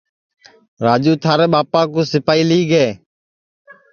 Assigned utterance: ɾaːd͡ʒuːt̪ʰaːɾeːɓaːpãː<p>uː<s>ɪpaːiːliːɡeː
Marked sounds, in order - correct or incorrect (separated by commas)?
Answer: incorrect, correct